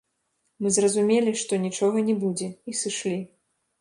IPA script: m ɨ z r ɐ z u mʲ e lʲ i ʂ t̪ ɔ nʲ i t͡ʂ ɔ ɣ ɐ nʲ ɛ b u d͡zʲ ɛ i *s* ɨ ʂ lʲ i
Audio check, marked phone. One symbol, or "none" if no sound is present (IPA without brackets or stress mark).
s